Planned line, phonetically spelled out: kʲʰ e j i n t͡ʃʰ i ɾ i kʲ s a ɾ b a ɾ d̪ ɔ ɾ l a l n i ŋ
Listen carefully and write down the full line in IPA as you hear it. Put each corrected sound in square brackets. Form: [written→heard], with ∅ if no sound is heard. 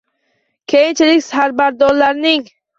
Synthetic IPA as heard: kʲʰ e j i n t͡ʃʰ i [ɾ→l] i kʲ s a ɾ b a ɾ d̪ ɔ ɾ l a [l→ɾ] n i ŋ